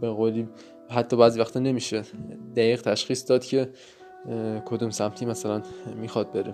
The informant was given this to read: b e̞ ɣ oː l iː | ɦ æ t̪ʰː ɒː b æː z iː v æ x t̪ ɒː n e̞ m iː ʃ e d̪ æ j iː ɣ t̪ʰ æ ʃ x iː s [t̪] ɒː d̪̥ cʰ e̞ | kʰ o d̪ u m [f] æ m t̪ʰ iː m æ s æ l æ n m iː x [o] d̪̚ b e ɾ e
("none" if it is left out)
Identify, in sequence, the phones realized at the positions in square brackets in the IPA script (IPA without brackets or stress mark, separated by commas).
d̪, s, ɒ